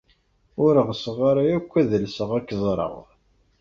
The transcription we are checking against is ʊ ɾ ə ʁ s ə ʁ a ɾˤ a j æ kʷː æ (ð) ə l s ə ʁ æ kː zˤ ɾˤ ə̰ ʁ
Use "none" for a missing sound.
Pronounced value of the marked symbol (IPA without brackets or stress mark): ð